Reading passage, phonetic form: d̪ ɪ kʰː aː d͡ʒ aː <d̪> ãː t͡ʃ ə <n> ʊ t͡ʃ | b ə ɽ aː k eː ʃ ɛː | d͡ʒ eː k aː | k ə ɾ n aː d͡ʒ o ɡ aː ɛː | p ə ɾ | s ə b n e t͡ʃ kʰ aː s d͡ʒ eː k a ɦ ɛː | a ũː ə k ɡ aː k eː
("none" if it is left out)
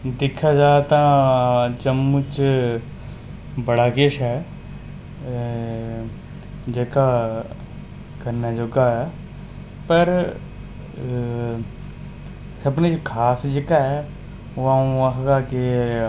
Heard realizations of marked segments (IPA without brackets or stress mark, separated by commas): t̪, m